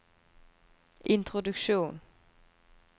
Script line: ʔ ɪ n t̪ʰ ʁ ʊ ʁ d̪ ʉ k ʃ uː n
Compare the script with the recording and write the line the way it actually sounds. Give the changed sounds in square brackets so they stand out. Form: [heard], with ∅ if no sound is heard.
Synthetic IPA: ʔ ɪ n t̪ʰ ʁ ʊ [∅] d̪ ʉ k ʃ uː n

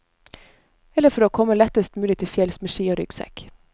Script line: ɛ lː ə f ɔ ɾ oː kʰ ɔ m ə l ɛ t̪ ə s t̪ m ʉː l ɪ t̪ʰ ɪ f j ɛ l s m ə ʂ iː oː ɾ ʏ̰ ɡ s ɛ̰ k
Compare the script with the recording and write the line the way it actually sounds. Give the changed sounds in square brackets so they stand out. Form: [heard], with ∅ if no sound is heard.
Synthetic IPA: ɛ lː ə f ɔ ɾ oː kʰ ɔ m ə l ɛ t̪ ə s t̪ m ʉː l ɪ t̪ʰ ɪ f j ɛ l s m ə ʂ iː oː ɾ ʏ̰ ɡ s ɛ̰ k

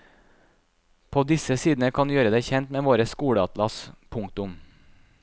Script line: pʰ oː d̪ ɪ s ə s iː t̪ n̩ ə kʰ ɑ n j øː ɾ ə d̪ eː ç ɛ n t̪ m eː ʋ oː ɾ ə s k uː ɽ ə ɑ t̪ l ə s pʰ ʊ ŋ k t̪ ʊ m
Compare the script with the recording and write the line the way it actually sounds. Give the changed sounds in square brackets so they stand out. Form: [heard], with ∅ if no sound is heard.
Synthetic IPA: pʰ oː d̪ ɪ s ə s iː [d̪] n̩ ə kʰ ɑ n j øː ɾ ə d̪ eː ç ɛ n t̪ m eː ʋ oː ɾ ə s k uː ɽ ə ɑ t̪ l [ɑ] s pʰ ʊ ŋ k t̪ ʊ m

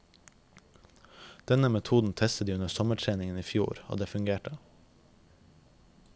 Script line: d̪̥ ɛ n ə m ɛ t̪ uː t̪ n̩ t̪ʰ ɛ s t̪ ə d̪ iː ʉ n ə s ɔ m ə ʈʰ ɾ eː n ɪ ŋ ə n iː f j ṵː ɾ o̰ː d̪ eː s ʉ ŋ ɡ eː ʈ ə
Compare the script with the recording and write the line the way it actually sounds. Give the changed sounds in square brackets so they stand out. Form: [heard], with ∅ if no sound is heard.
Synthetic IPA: d̪̥ ɛ n ə m ɛ [t̪ʰ] uː [d̪] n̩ t̪ʰ ɛ s t̪ ə d̪ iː ʉ n ə s ɔ m ə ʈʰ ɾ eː n ɪ ŋ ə n iː f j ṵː ɾ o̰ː d̪ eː [f] ʉ ŋ ɡ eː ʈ ə

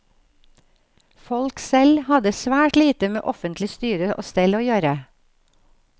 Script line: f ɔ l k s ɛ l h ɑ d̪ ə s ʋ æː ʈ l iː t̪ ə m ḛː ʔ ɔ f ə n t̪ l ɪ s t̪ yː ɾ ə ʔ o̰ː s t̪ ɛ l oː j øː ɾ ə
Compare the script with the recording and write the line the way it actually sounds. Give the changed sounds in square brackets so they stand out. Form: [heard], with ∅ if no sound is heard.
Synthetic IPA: f ɔ l k s ɛ l h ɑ d̪ ə s ʋ æː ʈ l iː t̪ ə m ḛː ʔ ɔ f ə n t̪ l ɪ s t̪ yː ɾ ə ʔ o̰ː s t̪ ɛ l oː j øː ɾ ə

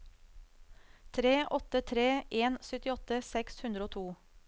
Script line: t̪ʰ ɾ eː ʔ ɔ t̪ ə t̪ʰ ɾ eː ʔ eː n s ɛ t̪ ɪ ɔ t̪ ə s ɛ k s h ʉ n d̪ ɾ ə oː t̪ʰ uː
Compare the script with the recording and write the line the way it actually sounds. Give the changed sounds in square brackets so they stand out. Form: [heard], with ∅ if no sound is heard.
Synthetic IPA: t̪ʰ ɾ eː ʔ ɔ t̪ ə t̪ʰ ɾ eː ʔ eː n s [œ] t̪ ɪ ɔ t̪ ə s ɛ k s h ʉ n d̪ ɾ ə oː t̪ʰ uː

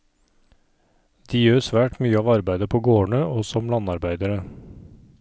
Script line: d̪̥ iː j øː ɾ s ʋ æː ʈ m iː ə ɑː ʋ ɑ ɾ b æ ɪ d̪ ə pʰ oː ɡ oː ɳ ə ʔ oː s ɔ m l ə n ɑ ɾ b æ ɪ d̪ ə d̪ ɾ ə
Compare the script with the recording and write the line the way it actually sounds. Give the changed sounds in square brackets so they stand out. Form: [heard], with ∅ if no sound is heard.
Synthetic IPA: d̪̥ iː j øː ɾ s ʋ æː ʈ m [yː] ə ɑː ʋ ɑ ɾ b æ ɪ d̪ ə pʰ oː ɡ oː ɳ ə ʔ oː s ɔ m l [ɑ] n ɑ ɾ b æ ɪ d̪ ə [∅] ɾ ə

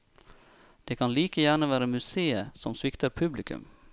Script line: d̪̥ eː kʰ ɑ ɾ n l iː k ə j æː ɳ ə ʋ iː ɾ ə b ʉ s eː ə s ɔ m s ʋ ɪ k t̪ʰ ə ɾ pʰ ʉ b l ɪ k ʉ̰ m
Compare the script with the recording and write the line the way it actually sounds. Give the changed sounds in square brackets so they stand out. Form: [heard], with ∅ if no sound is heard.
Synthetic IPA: d̪̥ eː kʰ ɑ [∅] n l iː k ə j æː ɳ ə ʋ [æː] ɾ ə [m] ʉ s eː ə s ɔ m s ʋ ɪ k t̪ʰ ə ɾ pʰ ʉ b l ɪ k ʉ̰ m

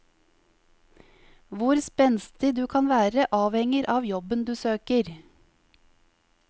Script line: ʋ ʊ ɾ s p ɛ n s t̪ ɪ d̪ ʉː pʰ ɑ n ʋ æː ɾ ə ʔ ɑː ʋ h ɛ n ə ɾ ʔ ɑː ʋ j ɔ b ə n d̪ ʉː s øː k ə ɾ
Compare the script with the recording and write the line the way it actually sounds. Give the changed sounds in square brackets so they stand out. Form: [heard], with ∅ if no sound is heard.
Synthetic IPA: ʋ ʊ ɾ s p ɛ n s t̪ ɪ d̪ ʉː [kʰ] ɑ n ʋ æː ɾ ə ʔ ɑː ʋ h ɛ [ŋ] ə ɾ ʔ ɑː ʋ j ɔ b ə n d̪ ʉː s øː k ə ɾ

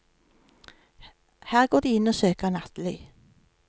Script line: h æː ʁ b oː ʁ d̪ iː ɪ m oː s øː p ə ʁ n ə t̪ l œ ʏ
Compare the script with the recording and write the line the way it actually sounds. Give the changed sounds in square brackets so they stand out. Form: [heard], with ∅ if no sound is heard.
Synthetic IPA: h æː ʁ [ɡ] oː ʁ d̪ iː ɪ [n] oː s øː [k] ə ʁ n [ɑ] t̪ l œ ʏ

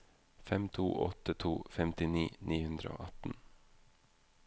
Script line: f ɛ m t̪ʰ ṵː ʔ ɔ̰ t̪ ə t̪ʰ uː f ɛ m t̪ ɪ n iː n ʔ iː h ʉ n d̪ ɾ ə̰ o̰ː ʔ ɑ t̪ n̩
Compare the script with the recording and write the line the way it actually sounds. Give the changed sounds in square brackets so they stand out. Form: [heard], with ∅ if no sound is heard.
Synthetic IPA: f ɛ m t̪ʰ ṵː ʔ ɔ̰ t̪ ə t̪ʰ uː f ɛ m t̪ ɪ n iː n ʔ iː h ʉ n d̪ ɾ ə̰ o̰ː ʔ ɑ t̪ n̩

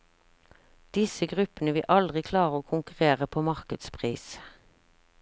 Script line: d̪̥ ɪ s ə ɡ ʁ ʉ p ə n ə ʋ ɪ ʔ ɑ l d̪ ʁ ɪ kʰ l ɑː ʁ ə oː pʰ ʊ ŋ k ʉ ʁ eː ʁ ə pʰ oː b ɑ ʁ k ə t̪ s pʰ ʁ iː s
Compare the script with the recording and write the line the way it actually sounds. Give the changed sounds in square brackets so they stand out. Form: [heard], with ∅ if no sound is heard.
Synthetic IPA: d̪̥ ɪ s ə ɡ ʁ ʉ p ə n ə ʋ ɪ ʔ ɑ l d̪ ʁ ɪ kʰ l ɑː ʁ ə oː [kʰ] ʊ ŋ k ʉ ʁ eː ʁ ə pʰ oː [m] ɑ ʁ k ə [d̪] s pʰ ʁ iː s

